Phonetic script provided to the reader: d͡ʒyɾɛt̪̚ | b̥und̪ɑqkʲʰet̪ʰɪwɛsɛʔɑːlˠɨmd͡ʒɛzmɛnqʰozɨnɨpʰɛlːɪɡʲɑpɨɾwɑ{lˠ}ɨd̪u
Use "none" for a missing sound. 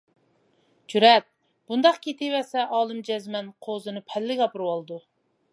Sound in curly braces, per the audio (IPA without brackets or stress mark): lˠ